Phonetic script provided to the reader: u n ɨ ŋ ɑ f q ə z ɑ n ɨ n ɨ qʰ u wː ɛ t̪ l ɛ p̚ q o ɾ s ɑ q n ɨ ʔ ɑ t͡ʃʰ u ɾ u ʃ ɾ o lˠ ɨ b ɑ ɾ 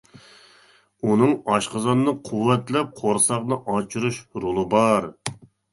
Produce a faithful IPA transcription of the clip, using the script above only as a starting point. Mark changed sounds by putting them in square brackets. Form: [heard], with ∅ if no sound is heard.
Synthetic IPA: u n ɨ ŋ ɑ [ʃ] q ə z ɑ n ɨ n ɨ qʰ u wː ɛ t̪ l ɛ p̚ [qʰ] o ɾ s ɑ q n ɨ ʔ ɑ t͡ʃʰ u ɾ u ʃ ɾ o lˠ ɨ b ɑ ɾ